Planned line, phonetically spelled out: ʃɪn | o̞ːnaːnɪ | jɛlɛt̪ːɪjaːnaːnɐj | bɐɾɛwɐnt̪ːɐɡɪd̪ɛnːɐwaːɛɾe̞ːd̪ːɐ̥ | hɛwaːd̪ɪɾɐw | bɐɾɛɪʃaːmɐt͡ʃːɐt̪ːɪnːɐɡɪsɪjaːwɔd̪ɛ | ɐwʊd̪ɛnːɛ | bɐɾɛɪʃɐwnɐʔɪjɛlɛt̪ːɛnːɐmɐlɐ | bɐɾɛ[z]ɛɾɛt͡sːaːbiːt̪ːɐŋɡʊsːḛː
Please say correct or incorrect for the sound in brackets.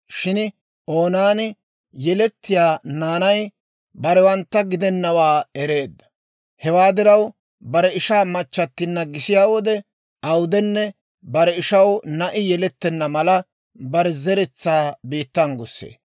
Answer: correct